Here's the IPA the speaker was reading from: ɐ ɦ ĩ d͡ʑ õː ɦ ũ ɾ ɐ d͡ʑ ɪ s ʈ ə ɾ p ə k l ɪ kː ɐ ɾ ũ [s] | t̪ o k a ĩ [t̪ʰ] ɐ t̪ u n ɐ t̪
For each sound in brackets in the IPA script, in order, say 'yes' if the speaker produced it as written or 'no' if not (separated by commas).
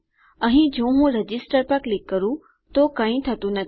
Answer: no, yes